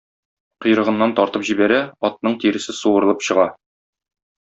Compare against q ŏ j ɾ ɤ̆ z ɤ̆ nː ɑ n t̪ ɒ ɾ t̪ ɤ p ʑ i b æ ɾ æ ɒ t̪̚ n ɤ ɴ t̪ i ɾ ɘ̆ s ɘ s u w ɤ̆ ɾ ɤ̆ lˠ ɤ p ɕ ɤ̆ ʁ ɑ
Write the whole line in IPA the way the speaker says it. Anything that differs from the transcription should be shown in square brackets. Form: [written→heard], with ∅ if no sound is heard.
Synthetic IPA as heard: q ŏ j ɾ ɤ̆ [z→ʁ] ɤ̆ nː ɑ n t̪ ɒ ɾ t̪ ɤ p ʑ i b æ ɾ æ ɒ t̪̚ n ɤ ɴ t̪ i ɾ ɘ̆ s ɘ s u w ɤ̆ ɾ ɤ̆ lˠ ɤ p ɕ ɤ̆ ʁ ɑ